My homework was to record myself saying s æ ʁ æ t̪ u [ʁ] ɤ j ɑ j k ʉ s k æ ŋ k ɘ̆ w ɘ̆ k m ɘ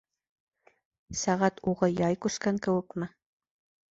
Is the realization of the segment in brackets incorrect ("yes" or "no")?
no